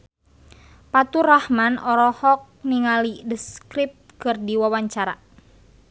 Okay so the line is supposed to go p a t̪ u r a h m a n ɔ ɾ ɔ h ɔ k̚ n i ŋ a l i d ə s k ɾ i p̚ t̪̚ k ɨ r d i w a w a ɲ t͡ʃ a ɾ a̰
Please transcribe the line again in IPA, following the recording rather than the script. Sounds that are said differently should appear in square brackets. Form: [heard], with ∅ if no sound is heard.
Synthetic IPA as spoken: p a t̪ u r a h m a n ɔ ɾ ɔ h ɔ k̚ n i ŋ a l i d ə s k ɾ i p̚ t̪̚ k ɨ r d i w a w a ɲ t͡ʃ a ɾ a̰